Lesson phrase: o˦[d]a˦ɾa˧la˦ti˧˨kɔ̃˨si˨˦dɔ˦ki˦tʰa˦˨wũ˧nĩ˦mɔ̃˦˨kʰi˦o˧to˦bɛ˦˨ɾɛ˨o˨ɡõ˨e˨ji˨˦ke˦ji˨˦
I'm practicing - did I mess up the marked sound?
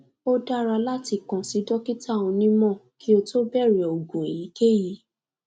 no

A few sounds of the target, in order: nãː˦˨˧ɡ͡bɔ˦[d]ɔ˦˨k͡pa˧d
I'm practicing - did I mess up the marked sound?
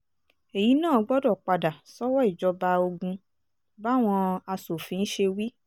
no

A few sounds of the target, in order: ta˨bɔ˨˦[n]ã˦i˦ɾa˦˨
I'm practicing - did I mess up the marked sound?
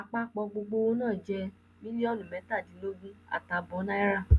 no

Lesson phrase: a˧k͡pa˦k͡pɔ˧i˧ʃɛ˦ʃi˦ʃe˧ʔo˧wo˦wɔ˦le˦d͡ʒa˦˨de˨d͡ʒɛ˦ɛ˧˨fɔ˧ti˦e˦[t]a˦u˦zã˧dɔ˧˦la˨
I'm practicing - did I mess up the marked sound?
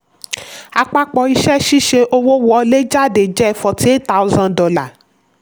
no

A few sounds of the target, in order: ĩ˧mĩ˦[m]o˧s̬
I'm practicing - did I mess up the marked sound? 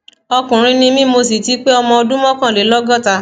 no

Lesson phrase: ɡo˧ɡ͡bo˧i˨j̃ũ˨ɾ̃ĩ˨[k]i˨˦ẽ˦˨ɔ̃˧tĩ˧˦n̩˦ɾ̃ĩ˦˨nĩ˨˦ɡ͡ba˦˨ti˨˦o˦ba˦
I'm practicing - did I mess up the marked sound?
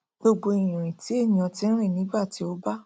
yes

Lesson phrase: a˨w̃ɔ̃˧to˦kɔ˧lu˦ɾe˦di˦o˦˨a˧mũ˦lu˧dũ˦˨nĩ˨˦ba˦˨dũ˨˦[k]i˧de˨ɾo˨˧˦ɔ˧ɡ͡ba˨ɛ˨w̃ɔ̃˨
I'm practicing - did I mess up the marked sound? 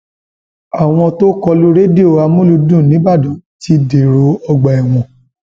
yes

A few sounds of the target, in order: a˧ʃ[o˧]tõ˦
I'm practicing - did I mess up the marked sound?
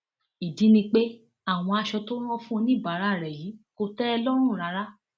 yes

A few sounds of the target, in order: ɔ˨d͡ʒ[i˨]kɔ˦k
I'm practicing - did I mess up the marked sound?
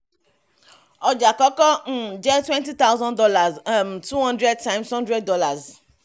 yes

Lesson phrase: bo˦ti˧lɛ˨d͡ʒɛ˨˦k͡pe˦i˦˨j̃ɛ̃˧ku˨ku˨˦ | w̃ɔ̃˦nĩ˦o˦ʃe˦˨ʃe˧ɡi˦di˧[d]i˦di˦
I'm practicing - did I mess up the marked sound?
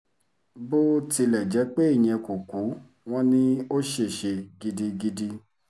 yes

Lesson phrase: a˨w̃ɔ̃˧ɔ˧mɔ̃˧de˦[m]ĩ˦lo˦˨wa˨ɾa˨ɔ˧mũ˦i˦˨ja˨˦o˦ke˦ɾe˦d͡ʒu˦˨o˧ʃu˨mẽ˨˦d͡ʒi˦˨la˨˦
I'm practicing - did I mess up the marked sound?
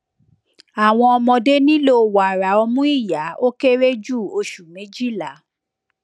yes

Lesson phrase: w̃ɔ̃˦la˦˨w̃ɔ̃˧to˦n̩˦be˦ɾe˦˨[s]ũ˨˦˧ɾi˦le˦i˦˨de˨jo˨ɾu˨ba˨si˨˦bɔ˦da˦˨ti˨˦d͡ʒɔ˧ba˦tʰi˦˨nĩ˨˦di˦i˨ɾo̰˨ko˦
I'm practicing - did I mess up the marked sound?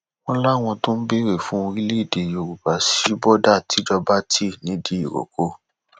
yes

